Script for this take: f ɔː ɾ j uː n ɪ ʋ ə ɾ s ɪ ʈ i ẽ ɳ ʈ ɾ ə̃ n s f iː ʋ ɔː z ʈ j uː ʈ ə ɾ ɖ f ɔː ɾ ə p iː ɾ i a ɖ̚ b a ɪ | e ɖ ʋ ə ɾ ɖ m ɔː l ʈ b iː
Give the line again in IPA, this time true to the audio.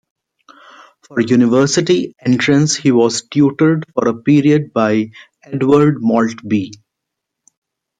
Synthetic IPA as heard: f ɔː ɾ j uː n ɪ ʋ ə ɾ s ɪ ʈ i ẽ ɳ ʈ ɾ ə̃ n s h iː ʋ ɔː z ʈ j uː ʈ ə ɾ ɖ f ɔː ɾ ə p iː ɾ i ə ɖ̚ b a ɪ | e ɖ ʋ ə ɾ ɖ m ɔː l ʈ b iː